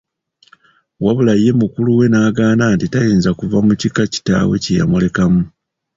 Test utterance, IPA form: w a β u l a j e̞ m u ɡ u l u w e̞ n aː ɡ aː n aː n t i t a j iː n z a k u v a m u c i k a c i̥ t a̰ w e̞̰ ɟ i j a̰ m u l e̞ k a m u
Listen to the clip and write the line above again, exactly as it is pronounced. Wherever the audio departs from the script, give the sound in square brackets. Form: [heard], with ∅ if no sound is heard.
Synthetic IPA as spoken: w a β u l a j e̞ m u [k] u l u w e̞ n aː ɡ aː n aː n t i t a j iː n z a k u v a m u c i k a c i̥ t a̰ w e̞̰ [c] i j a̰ m u l e̞ k a m u